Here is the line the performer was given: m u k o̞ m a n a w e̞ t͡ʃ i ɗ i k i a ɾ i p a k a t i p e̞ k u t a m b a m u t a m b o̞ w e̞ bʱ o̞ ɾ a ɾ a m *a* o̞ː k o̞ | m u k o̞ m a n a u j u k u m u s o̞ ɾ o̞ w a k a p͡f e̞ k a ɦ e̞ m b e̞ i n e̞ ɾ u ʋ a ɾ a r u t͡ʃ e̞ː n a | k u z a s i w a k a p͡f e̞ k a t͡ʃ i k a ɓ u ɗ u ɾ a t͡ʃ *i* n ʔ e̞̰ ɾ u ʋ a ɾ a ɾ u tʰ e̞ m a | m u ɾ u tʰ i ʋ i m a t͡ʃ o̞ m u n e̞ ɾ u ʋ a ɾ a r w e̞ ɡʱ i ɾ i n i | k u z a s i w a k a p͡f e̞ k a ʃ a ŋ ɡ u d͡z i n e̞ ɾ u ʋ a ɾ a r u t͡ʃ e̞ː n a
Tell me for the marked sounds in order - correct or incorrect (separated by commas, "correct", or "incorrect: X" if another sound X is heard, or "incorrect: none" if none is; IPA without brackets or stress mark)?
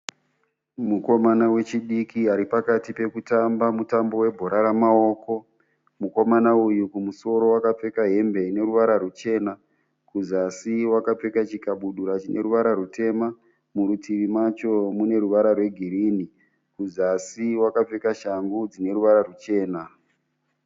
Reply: correct, correct